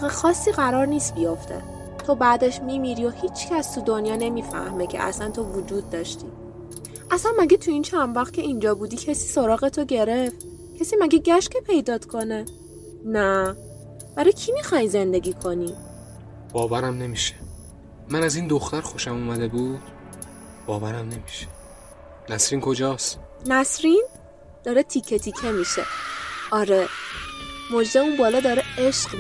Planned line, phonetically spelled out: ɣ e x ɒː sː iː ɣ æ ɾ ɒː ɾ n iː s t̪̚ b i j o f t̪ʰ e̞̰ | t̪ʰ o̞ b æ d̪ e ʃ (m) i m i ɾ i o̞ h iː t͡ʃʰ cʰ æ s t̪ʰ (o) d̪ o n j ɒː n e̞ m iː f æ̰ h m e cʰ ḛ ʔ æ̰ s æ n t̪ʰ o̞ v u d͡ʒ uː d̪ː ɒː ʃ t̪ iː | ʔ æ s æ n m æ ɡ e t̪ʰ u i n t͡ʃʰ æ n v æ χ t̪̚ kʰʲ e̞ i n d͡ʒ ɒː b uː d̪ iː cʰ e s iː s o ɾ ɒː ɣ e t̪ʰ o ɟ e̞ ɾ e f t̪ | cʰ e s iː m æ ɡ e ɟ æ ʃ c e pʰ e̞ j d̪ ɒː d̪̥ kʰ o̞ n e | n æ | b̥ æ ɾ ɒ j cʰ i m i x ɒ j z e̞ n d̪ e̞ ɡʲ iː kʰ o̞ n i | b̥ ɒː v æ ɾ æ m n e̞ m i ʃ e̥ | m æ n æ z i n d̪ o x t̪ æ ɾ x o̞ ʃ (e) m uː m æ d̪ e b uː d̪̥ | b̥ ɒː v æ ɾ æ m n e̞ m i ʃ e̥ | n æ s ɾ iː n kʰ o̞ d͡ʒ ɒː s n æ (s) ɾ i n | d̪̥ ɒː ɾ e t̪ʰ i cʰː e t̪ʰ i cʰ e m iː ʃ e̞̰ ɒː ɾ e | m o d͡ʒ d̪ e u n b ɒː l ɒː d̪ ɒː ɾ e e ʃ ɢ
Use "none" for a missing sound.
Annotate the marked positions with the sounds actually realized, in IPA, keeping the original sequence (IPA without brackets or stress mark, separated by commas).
m, u, æ, s